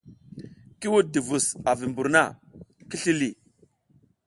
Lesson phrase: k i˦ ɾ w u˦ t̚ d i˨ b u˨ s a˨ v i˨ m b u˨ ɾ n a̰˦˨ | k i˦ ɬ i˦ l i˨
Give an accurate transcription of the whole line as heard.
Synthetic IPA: k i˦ w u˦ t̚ d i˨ v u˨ s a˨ v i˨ m b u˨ ɾ n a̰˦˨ | k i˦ ɬ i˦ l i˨